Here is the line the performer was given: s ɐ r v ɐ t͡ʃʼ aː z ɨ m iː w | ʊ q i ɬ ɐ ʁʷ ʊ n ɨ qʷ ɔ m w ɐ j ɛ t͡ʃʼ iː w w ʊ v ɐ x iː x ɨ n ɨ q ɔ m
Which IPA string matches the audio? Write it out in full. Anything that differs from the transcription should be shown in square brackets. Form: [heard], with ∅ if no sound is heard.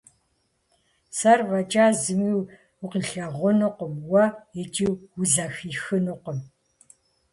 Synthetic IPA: s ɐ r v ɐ t͡ʃʼ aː z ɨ m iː w | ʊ q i ɬ ɐ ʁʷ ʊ n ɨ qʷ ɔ m w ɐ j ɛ t͡ʃʼ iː w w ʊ [z] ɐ x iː x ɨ n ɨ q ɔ m